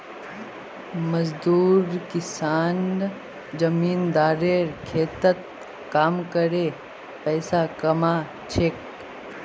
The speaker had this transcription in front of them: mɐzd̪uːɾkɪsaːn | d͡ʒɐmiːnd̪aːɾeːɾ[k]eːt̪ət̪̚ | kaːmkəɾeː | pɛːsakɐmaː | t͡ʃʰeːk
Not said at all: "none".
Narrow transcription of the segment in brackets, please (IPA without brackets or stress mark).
kʰ